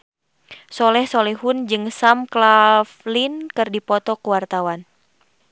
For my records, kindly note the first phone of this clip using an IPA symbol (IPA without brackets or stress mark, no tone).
s